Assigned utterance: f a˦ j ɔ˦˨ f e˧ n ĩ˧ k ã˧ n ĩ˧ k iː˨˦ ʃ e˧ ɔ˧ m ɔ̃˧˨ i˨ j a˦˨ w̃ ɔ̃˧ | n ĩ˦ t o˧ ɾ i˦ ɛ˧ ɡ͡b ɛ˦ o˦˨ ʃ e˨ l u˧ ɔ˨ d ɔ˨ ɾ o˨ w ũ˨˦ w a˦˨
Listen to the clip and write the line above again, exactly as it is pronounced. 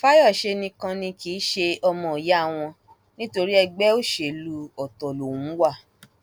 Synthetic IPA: f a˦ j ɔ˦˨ ʃ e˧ n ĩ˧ k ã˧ n ĩ˧ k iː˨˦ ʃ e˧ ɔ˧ m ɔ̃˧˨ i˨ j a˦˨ w̃ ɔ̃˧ | n ĩ˦ t o˧ ɾ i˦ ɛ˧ ɡ͡b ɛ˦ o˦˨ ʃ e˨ l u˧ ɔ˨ t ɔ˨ l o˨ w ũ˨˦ w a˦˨

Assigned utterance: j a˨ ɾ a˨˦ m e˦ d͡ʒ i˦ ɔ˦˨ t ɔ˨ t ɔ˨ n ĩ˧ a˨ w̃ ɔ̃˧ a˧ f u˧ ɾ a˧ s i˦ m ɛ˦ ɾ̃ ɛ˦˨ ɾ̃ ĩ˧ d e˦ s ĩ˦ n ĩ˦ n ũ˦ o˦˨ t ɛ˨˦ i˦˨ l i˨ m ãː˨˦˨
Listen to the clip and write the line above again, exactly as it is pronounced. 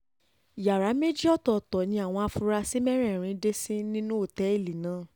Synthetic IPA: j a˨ ɾ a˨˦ m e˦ d͡ʒ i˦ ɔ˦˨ t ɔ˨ t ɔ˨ n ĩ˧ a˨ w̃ ɔ̃˧ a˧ f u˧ ɾ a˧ s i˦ m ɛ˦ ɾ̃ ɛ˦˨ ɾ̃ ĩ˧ d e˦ s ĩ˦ n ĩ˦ n ũ˦ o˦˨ t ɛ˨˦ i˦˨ l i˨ n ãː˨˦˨

